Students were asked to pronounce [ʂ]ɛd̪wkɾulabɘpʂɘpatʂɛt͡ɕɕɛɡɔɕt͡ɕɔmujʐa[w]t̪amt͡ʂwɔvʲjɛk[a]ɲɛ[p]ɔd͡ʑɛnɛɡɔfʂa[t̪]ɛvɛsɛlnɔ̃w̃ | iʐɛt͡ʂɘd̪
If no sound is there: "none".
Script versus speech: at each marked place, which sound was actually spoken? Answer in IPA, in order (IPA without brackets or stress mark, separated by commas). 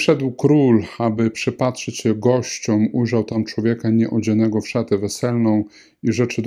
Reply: ʂ, w, a, ʔ, t̪